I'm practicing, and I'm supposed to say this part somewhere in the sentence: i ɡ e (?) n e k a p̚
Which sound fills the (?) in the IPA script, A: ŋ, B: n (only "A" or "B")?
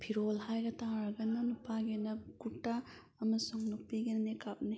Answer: B